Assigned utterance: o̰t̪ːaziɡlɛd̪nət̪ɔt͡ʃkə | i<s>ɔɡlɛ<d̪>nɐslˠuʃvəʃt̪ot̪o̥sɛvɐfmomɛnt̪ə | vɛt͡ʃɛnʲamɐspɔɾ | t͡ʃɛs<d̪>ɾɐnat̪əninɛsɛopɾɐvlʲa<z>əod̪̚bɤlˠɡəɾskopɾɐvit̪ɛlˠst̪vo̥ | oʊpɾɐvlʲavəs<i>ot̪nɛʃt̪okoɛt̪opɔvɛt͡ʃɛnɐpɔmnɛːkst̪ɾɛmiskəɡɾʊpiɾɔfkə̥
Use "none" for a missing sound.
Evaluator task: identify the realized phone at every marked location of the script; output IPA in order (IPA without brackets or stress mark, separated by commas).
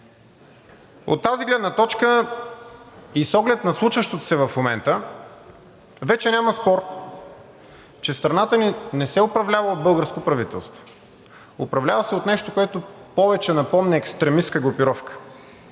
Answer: s, t̪, t̪, v, ɛ